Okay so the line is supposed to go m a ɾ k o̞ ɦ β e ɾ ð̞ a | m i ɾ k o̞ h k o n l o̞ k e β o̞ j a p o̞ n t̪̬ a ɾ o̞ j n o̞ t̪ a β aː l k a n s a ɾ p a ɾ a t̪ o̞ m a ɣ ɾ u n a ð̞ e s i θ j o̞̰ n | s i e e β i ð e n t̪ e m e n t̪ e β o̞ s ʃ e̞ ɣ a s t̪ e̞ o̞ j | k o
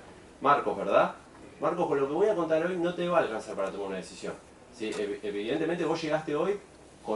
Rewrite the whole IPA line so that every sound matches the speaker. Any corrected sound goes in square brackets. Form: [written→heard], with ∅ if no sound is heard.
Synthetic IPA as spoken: m a ɾ k o̞ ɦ β e ɾ ð̞ a | m [i→a] ɾ k o̞ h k o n l o̞ k e β o̞ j a [p→k] o̞ n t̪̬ a ɾ o̞ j n o̞ t̪ [a→e] β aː l k a n s a ɾ p a ɾ a t̪ o̞ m a [ɣ→∅] ɾ u n a ð̞ e s i [θ→s] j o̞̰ n | s i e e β i ð e n t̪ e m e n t̪ e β o̞ s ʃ e̞ ɣ a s t̪ e̞ o̞ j | k o